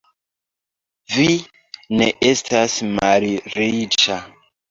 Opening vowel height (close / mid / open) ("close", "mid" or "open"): close